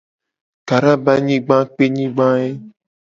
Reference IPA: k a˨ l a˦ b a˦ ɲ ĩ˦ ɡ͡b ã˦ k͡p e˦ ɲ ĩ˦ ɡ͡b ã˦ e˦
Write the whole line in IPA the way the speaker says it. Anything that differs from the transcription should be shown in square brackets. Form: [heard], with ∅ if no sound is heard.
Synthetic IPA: k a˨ [ɾ] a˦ b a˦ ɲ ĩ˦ ɡ͡b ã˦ k͡p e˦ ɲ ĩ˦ ɡ͡b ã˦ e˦